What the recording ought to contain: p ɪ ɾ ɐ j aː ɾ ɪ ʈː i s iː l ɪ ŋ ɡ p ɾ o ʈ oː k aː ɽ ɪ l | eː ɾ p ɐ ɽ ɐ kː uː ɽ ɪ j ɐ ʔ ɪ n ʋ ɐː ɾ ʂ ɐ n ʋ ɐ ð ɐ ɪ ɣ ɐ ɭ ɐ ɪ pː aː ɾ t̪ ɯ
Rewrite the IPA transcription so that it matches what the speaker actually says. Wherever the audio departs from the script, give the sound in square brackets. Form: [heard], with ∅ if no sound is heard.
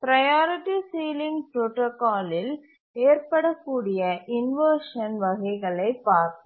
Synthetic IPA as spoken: p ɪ ɾ ɐ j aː ɾ ɪ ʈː i s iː l ɪ ŋ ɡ p ɾ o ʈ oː k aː [l] ɪ l | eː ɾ p ɐ ɽ ɐ kː uː ɽ ɪ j ɐ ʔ ɪ n ʋ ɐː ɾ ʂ ɐ n ʋ ɐ [ɣ] ɐ ɪ ɣ ɐ ɭ ɐ ɪ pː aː ɾ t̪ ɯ